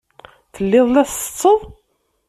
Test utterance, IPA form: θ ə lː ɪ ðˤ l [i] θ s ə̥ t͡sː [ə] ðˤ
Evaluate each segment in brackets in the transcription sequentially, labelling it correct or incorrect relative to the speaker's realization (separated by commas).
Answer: incorrect, correct